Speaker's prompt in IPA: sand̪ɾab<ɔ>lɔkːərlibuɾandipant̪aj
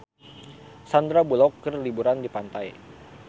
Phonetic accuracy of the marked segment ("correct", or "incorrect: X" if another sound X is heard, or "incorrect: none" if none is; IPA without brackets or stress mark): incorrect: u